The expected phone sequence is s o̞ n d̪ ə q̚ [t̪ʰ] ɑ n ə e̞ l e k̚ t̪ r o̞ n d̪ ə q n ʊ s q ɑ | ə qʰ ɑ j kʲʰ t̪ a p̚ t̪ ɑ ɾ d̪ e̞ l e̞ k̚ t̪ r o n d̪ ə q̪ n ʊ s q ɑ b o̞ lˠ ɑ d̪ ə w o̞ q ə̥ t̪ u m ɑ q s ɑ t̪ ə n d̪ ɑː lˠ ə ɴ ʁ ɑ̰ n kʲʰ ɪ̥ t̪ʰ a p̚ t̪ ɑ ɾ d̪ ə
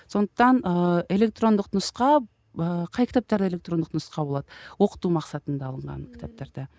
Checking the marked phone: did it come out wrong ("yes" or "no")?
yes